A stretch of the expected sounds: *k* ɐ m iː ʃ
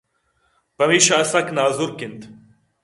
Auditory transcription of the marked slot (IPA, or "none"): p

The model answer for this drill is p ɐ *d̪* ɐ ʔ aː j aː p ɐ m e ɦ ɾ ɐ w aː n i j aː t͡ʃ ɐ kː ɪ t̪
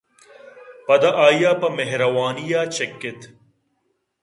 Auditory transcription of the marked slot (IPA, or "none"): d̪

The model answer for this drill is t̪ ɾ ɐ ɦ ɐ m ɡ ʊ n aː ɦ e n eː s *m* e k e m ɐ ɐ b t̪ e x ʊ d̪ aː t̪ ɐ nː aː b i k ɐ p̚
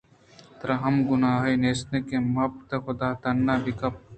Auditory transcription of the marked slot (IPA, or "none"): n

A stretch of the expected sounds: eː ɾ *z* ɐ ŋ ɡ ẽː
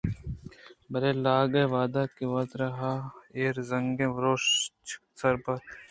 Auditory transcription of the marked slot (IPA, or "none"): z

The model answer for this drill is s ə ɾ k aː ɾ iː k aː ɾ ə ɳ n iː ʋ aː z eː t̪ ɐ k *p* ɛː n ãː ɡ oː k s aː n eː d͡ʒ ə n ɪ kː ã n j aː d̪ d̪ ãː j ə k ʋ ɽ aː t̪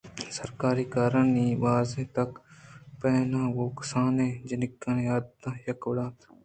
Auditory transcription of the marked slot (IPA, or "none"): p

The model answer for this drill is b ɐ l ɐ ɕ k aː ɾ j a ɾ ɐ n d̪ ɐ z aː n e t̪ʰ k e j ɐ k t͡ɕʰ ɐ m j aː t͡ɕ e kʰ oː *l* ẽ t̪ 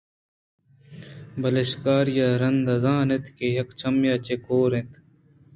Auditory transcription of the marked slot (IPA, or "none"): ɾ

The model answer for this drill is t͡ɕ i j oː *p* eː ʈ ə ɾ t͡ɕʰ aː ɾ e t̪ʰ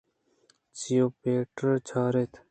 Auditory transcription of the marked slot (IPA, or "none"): p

